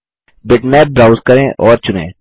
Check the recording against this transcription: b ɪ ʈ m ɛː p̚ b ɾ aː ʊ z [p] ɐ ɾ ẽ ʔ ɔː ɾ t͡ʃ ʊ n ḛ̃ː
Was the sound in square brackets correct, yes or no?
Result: no